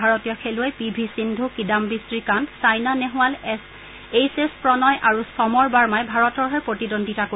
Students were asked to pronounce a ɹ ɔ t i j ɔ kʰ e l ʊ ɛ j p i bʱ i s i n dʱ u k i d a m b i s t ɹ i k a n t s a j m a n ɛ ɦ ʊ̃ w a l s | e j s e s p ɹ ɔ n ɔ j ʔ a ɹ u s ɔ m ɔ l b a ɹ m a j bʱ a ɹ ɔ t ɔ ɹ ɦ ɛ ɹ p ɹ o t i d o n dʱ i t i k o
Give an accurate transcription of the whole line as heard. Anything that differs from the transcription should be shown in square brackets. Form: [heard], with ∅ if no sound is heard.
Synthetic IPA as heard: a ɹ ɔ t i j ɔ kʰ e l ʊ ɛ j p i bʱ i s i n dʱ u k i d a m b i s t ɹ i k a n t s a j [n] a n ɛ ɦ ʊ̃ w a l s | e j s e s p ɹ ɔ n ɔ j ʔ a ɹ u s ɔ m ɔ [ɹ] b a ɹ m a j bʱ a ɹ ɔ t ɔ ɹ ɦ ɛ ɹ p ɹ o t i d o n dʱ i t [a] k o